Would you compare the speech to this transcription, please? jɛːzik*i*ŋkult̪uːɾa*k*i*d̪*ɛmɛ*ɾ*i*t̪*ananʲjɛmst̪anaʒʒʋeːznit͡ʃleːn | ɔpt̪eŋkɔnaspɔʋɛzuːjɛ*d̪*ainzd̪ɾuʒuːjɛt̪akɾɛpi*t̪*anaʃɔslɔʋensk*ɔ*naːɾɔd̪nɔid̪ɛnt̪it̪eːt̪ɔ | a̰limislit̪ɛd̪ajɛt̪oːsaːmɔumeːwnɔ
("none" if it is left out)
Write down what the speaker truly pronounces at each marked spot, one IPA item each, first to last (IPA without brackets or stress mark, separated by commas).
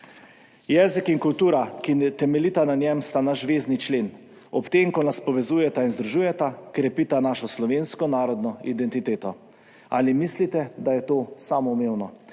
i, k, t̪, l, t̪, t̪, t̪, ɔ